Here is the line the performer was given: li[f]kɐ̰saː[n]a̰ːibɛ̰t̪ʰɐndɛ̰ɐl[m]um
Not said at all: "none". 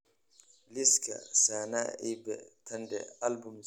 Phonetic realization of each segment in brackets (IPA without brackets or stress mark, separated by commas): s, n, b